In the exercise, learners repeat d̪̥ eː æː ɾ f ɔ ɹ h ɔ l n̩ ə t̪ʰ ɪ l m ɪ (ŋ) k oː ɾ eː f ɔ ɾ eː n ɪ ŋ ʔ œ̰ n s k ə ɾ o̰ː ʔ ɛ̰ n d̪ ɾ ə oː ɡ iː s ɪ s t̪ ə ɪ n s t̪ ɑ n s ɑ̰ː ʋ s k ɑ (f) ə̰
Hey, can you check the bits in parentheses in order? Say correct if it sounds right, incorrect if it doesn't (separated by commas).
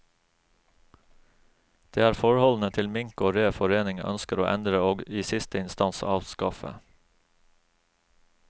correct, correct